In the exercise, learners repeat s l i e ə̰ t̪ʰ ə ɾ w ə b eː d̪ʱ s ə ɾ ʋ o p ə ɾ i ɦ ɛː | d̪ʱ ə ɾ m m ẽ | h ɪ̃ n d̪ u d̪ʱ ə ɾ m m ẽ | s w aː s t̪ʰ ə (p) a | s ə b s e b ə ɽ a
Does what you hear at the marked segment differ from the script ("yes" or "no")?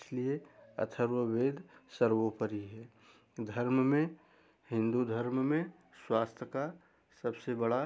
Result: yes